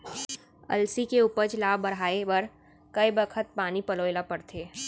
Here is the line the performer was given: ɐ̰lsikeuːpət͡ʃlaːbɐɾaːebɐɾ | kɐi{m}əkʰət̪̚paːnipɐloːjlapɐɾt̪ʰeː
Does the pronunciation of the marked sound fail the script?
yes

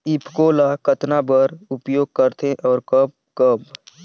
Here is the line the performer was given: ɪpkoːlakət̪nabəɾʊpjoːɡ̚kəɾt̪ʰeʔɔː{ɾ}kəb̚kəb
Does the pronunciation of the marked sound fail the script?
no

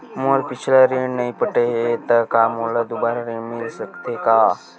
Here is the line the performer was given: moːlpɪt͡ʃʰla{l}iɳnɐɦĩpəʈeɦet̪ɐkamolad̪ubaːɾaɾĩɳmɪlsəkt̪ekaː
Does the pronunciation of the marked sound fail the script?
yes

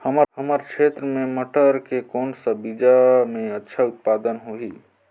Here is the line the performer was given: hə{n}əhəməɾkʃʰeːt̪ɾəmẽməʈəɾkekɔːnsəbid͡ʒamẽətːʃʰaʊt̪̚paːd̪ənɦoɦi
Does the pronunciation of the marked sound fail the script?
yes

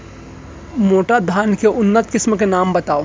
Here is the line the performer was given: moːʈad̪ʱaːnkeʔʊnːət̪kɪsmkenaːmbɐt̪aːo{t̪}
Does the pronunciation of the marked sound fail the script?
yes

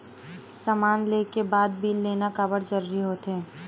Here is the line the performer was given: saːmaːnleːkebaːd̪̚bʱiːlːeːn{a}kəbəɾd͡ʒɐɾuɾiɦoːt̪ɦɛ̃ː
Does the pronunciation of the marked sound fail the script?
no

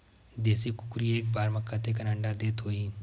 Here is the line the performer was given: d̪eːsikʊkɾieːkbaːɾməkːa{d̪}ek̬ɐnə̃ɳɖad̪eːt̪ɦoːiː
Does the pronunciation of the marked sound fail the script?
yes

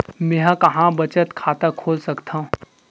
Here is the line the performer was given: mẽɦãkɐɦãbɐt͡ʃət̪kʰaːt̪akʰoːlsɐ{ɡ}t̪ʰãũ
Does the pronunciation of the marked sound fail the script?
yes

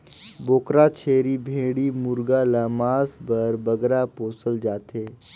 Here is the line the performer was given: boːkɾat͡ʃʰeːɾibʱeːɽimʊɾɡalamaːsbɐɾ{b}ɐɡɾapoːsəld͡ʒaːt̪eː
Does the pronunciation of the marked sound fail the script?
no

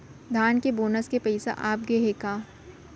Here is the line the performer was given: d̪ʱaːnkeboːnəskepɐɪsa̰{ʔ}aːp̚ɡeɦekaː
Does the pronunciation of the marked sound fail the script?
no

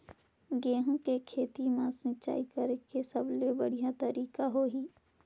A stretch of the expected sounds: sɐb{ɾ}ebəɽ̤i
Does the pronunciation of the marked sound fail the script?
yes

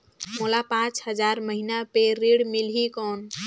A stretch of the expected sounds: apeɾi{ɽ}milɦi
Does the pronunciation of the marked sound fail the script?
no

